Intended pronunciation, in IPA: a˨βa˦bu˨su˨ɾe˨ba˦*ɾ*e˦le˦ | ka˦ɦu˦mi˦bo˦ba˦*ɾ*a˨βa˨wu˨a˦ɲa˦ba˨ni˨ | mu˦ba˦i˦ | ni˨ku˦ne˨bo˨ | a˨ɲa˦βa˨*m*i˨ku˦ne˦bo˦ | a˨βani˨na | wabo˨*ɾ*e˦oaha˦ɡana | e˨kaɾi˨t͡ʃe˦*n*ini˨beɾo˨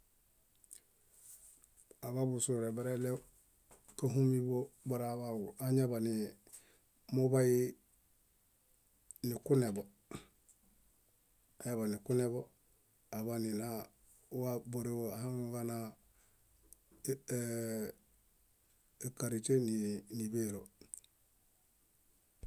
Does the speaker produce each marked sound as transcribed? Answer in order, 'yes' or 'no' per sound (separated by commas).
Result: yes, yes, no, yes, yes